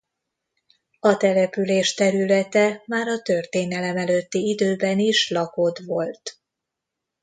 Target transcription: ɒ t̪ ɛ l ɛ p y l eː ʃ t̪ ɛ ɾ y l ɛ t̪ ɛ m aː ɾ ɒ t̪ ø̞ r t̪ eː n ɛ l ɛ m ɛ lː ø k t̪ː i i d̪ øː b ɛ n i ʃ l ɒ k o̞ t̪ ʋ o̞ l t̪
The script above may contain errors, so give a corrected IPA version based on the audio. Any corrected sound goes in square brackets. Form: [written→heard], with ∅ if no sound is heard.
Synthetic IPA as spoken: ɒ t̪ ɛ l ɛ p y l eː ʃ t̪ ɛ ɾ y l ɛ t̪ ɛ m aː ɾ ɒ t̪ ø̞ r t̪ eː n ɛ l ɛ m ɛ [lː→l] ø [k→∅] t̪ː i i d̪ øː b ɛ n i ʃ l ɒ k o̞ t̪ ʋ o̞ l t̪